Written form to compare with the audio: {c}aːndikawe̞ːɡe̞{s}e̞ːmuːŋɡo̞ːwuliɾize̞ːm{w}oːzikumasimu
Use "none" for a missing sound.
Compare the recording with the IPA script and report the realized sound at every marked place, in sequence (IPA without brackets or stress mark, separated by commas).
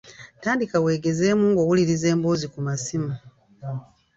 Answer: t, z, b